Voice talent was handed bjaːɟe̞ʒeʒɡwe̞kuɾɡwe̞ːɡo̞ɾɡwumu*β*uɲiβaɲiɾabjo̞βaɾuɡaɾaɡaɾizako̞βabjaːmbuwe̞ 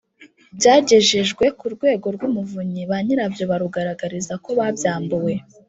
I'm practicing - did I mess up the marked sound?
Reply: yes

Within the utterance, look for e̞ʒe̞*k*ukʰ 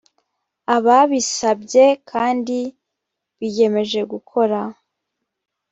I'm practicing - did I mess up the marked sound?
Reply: yes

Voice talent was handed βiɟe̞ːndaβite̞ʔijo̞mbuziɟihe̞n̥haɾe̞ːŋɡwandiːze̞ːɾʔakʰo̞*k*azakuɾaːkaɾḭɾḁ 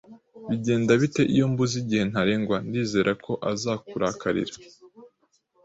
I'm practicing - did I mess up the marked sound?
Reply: yes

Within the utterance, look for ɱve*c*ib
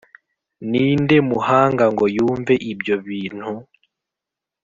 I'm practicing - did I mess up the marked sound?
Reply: yes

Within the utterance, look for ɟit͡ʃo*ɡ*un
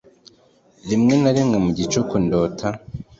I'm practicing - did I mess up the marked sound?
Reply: yes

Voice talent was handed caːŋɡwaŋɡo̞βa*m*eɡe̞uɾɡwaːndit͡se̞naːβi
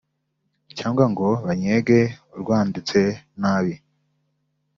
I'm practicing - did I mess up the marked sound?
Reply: yes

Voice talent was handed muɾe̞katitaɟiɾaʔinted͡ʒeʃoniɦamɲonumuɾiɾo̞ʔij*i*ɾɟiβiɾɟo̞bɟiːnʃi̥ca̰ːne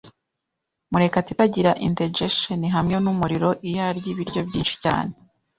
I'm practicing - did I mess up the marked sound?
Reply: yes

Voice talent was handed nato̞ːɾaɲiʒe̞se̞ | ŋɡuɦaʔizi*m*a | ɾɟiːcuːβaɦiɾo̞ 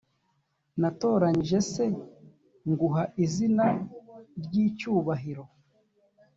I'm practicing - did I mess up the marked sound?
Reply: yes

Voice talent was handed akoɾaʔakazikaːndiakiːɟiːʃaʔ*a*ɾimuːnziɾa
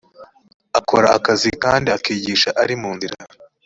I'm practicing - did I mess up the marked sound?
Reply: no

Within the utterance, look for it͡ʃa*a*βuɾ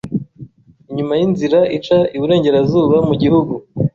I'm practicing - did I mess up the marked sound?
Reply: yes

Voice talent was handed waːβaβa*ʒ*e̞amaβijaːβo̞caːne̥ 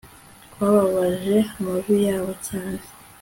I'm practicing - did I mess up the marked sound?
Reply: no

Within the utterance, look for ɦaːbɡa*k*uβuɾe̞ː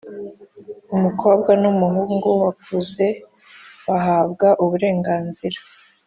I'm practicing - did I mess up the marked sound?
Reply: yes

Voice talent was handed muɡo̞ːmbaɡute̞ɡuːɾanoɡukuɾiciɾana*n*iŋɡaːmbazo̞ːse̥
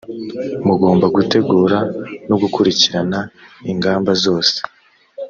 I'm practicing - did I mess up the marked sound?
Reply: yes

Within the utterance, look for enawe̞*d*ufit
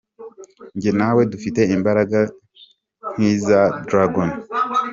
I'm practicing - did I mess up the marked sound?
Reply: no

